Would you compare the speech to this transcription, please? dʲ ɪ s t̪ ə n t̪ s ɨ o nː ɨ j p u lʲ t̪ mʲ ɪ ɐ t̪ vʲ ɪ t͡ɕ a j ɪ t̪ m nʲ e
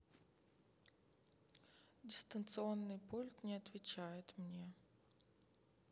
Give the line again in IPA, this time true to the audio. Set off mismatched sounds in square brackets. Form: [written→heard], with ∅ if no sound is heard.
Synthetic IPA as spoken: dʲ ɪ s t̪ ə n t̪ s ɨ o nː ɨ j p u lʲ t̪ [mʲ→nʲ] ɪ ɐ t̪ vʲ ɪ t͡ɕ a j ɪ t̪ m nʲ e